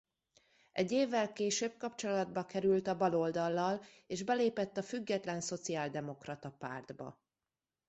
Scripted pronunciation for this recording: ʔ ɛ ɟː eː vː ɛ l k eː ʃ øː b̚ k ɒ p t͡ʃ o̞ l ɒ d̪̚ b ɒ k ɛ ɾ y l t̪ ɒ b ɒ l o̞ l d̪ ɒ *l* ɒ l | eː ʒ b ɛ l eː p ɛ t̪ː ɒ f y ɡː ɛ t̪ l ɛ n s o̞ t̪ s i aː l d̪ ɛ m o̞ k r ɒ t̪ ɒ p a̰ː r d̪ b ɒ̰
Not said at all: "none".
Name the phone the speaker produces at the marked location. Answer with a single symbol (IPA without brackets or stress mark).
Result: lː